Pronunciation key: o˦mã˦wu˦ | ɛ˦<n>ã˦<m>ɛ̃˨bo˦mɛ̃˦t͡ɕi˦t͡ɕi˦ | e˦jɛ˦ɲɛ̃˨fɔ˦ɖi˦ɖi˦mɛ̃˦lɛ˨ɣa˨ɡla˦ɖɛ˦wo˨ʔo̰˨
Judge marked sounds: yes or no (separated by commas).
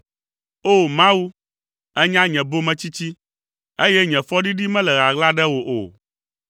no, no